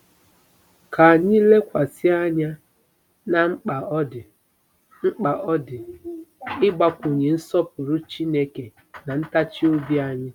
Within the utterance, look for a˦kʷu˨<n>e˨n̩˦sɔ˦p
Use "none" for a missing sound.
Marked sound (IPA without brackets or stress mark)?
ɲ